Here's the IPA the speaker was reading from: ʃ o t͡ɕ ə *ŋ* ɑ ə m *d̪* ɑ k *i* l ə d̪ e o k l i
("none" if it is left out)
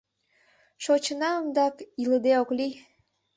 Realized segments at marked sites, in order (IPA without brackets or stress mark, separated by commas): n, d̪, i